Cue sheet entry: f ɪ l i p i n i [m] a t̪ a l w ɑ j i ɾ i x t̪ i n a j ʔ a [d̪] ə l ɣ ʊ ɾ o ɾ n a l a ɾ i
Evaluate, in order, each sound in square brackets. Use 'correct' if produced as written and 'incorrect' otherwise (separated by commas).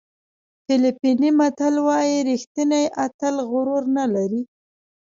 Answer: correct, incorrect